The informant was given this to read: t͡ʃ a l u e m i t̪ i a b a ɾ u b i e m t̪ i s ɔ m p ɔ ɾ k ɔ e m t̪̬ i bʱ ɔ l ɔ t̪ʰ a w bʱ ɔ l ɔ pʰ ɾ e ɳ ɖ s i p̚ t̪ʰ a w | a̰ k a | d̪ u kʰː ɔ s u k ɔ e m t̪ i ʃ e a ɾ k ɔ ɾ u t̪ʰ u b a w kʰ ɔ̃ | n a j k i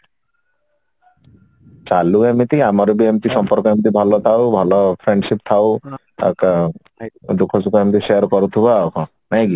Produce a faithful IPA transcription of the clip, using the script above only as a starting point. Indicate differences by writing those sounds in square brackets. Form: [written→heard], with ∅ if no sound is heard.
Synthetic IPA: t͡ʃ a l u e m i t̪ i a [b→m] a ɾ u b i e m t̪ i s ɔ m p ɔ ɾ k ɔ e m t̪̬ i bʱ ɔ l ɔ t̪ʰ a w bʱ ɔ l ɔ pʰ ɾ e ɳ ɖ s i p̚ t̪ʰ a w | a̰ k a | d̪ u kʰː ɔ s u k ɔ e m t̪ i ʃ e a ɾ k ɔ ɾ u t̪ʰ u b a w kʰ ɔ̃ | n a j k i